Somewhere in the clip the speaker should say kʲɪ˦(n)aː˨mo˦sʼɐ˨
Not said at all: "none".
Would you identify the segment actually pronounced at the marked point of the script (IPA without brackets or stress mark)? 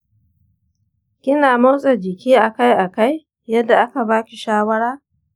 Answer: n